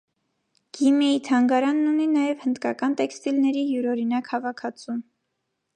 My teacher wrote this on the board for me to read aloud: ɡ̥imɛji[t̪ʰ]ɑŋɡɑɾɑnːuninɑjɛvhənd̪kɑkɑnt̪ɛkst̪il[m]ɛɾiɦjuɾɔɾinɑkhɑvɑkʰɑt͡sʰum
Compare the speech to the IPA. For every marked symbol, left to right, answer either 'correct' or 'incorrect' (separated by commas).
correct, incorrect